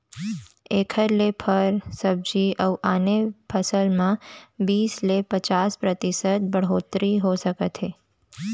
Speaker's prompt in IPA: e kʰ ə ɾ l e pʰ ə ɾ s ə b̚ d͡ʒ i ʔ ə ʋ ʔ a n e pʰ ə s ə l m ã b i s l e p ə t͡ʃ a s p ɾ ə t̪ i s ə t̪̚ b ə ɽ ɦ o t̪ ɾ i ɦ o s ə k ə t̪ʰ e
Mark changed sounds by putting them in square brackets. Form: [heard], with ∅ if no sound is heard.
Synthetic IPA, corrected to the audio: e kʰ ə ɾ l e pʰ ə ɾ s ə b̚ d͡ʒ i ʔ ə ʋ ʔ a n e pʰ ə s ə l m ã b i s l e p ə t͡ʃ a s p ɾ ə t̪ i s ə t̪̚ b ə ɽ ɦ o t̪ ɾ i ɦ o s ə k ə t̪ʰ e